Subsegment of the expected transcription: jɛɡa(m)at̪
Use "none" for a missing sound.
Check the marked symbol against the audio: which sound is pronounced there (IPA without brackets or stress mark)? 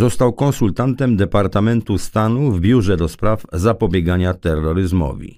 ɲ